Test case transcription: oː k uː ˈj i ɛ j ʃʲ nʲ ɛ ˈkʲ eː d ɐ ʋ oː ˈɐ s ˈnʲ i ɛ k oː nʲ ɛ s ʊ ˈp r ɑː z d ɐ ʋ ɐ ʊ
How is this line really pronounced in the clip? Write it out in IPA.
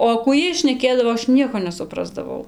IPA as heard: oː k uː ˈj i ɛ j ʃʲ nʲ ɛ ˈkʲ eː d ɐ ʋ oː ˈɐ ʃ ˈnʲ i ɛ k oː nʲ ɛ s ʊ ˈp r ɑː z d ɐ ʋ ɐ ʊ

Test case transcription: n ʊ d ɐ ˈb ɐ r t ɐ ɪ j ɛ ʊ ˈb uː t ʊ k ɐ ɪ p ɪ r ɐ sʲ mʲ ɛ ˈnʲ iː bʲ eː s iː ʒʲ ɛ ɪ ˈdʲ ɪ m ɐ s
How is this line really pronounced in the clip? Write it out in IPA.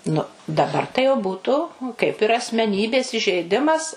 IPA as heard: n ʊ d ɐ ˈb ɐ r t ɐ ɪ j ɛ ʊ ˈb uː t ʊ k ɐ ɪ p ɪ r ɐ sʲ mʲ ɛ ˈnʲ iː bʲ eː s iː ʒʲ ɛ ɪ ˈdʲ ɪ m ɐ s

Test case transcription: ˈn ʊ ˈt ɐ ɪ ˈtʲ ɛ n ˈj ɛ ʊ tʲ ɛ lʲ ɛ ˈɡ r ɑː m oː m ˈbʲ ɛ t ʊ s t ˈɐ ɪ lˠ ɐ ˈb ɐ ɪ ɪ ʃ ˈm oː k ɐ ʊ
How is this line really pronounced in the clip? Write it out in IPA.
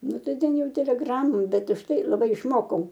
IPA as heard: ˈn ʊ ˈt ɐ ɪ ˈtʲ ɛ n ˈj ɛ ʊ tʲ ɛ lʲ ɛ ˈɡ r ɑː m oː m ˈbʲ ɛ t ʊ ʃ t ˈɐ ɪ lˠ ɐ ˈb ɐ ɪ ɪ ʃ ˈm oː k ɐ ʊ

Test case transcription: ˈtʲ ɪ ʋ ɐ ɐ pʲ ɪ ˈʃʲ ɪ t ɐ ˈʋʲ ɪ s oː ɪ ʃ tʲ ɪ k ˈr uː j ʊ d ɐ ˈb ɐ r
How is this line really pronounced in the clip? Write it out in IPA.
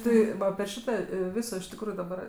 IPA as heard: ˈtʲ ɪ ʋ ɐ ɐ pʲ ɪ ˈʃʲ ɪ t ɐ ˈʋʲ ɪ s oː ɪ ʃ tʲ ɪ k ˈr uː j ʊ d ɐ ˈb ɐ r

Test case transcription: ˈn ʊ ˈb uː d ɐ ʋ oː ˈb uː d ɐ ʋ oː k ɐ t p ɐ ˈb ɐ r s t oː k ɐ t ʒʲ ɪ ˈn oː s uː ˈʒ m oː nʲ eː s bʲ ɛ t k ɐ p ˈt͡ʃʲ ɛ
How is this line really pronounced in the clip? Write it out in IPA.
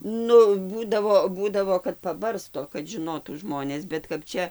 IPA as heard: ˈn ʊ ˈb uː d ɐ ʋ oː ˈb uː d ɐ ʋ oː k ɐ t p ɐ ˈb ɐ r s t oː k ɐ t ʒʲ ɪ ˈn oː t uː ˈʒ m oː nʲ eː s bʲ ɛ t k ɐ p ˈt͡ʃʲ ɛ

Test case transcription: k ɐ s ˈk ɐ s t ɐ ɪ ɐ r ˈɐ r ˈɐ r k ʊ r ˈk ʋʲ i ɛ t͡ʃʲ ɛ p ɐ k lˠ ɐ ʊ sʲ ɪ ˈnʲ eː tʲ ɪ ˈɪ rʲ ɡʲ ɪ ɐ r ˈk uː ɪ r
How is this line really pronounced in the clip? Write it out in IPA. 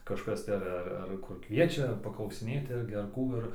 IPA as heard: k ɐ ʃ ˈk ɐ s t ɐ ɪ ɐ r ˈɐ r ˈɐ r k ʊ r ˈk ʋʲ i ɛ t͡ʃʲ ɛ p ɐ k lˠ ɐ ʊ sʲ ɪ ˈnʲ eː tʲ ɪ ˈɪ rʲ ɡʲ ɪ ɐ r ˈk uː ɪ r

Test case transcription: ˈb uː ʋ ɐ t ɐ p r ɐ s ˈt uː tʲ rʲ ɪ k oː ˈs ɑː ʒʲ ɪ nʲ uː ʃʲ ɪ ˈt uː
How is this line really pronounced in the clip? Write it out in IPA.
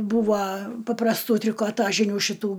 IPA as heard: ˈb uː ʋ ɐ p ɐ p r ɐ s ˈt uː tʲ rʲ ɪ k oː ˈt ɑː ʒʲ ɪ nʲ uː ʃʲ ɪ ˈt uː

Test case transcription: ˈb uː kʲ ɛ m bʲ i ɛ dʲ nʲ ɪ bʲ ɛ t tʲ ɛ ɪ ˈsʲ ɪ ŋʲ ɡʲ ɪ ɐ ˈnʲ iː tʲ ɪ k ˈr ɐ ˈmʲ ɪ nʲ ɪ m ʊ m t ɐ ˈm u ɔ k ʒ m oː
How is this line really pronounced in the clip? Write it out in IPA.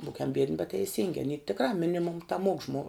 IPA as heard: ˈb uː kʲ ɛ m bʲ i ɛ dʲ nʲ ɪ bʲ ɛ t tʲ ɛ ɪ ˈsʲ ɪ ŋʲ ɡʲ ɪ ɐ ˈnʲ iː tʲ ɪ k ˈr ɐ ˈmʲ ɪ nʲ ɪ m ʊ m t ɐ ˈm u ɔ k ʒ m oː

